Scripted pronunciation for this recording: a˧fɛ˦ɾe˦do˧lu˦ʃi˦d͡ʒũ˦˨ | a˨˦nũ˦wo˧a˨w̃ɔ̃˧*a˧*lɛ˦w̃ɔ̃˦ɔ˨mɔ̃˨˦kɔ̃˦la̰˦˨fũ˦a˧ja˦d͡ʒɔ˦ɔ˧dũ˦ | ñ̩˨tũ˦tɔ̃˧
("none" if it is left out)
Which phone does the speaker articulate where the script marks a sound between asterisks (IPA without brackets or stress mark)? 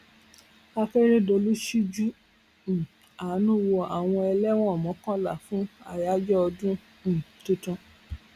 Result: ɛ˧